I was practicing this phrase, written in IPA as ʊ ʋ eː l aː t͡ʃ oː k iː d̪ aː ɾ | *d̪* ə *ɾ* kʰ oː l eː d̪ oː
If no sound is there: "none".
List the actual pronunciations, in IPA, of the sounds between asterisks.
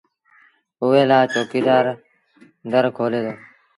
d̪, ɾ

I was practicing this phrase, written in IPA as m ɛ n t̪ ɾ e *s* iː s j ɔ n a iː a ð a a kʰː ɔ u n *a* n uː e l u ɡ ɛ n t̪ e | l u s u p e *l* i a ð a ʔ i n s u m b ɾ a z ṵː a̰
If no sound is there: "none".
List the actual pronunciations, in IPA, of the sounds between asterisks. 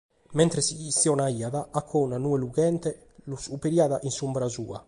s, a, ɾ

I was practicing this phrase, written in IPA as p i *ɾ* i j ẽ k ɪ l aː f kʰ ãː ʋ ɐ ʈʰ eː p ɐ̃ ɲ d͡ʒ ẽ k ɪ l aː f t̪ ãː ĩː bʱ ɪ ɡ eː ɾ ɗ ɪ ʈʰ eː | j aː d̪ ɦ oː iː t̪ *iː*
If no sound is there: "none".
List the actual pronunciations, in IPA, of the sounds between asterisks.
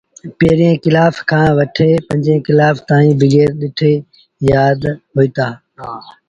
ɾ, aː

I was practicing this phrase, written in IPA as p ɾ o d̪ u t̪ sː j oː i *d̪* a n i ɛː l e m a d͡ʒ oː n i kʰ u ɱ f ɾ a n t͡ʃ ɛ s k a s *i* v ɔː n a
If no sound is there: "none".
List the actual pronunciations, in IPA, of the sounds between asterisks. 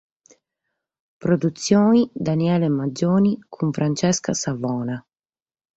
d̪, a

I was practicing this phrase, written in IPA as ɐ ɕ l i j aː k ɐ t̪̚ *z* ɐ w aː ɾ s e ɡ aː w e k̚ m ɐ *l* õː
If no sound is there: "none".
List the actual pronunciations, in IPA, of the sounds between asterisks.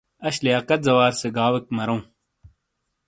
z, ɾ

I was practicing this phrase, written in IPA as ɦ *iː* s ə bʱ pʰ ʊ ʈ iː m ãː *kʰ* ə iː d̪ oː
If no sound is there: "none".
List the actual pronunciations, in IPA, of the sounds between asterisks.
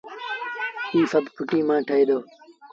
iː, ʈʰ

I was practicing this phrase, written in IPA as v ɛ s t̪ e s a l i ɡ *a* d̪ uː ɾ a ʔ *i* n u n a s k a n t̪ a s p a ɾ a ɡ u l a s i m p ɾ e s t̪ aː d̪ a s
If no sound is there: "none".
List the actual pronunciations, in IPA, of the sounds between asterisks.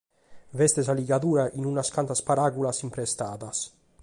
a, i

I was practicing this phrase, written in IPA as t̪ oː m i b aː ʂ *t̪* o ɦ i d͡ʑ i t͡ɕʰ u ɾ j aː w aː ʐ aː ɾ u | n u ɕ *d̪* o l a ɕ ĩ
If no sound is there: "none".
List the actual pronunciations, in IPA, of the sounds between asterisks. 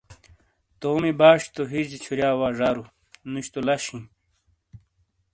t̪, t̪

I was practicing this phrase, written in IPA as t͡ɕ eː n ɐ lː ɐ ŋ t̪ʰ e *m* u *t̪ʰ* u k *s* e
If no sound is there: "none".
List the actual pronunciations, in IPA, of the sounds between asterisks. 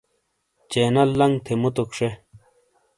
m, t̪, ʂ

